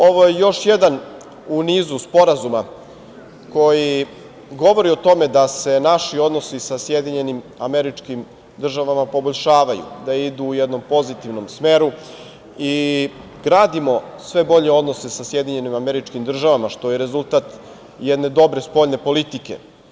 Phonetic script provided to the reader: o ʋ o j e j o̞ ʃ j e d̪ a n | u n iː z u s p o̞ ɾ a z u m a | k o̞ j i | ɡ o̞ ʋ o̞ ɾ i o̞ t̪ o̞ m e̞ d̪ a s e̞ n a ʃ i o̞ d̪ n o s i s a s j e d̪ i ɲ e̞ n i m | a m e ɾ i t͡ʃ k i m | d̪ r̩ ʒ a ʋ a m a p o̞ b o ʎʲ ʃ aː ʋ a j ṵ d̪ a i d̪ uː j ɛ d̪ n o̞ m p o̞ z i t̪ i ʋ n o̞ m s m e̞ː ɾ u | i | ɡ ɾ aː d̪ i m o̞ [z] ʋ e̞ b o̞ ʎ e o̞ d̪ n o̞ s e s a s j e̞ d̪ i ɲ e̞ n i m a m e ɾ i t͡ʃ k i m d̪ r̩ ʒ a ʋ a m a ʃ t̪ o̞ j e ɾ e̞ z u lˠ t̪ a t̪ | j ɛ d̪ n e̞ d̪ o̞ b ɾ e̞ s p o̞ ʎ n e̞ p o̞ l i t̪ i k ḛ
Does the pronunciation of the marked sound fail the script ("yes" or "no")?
yes